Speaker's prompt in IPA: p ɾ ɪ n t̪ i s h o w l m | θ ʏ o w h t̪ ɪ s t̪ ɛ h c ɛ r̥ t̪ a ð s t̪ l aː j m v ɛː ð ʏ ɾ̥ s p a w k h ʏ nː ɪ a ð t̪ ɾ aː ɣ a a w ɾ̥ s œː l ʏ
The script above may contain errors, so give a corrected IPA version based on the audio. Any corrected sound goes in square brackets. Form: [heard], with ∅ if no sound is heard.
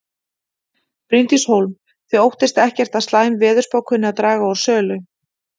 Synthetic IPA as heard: p ɾ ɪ n t̪ i s h o w l m | θ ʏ o w h t̪ ɪ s t̪ ɛ h c ɛ r̥ t̪ a ð s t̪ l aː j m v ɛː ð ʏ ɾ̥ s p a w k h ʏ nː ɪ a ð t̪ ɾ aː ɣ a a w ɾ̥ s œː l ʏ